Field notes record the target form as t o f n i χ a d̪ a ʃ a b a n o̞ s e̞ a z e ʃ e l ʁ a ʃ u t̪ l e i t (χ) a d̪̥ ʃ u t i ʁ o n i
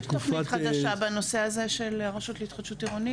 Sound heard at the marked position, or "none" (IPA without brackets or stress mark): χ